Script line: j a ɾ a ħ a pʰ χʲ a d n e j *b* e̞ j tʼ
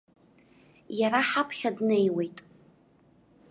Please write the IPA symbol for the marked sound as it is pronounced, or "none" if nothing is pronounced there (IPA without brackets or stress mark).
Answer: w